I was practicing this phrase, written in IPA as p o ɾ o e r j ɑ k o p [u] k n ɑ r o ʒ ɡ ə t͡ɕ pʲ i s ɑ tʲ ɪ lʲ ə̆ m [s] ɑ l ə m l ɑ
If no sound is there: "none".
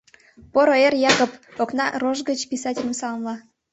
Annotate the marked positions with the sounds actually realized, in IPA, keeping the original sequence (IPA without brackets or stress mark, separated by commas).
o, s